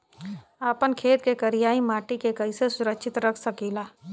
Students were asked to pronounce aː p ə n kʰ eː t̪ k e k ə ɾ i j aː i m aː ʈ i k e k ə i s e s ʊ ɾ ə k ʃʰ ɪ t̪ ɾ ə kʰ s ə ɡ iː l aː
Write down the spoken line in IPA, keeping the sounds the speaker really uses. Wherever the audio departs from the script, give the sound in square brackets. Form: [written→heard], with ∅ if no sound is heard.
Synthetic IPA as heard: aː p ə n kʰ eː t̪ k e k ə ɾ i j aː i m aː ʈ i k e k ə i s e s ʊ ɾ ə k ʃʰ ɪ t̪ ɾ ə kʰ s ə [ɡ→k] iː l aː